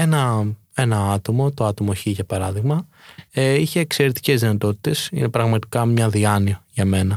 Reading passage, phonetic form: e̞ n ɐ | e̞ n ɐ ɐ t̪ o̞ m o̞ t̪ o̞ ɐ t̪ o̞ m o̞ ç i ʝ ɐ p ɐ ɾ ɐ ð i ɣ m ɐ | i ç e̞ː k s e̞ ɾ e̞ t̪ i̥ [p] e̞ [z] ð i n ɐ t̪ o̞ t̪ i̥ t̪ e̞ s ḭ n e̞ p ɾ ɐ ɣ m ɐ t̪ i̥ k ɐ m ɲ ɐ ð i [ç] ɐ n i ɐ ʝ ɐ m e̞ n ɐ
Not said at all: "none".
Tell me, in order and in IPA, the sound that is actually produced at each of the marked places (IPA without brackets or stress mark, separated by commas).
c, z, none